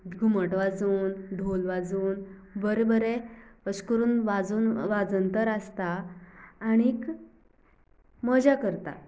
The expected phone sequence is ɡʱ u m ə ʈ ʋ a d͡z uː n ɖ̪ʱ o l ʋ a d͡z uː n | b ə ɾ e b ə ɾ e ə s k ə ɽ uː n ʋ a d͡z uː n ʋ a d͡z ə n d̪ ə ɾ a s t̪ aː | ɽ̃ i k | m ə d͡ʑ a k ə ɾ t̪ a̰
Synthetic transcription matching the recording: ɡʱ u m ə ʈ ʋ a d͡z uː n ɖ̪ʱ o l ʋ a d͡z uː n | b ə ɾ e b ə ɾ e ə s k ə ɾ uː n ʋ a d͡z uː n ʋ a d͡z ə n t̪ ə ɾ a s t̪ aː | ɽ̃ i k | m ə d͡ʑ a k ə ɾ t̪ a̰

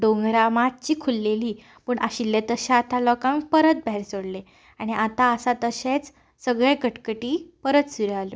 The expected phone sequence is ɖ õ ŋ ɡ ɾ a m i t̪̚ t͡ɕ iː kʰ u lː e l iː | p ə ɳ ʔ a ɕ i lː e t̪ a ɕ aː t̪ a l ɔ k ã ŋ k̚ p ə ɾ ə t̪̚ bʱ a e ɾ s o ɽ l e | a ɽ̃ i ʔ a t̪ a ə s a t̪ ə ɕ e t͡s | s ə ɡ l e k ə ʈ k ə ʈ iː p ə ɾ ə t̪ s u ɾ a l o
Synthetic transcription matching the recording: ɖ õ ŋ ɡ ɾ a m a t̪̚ t͡ɕ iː kʰ u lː e l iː | p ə ɳ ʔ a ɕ i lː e t̪ ə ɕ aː t̪ a l ɔ k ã ŋ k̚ p ə ɾ ə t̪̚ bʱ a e ɾ s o ɽ l e | a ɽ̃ i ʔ a t̪ a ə s a t̪ ə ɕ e t͡s | s ə ɡ ɭ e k ə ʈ k ə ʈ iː p ə ɾ ə t̪ s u ɾ a l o

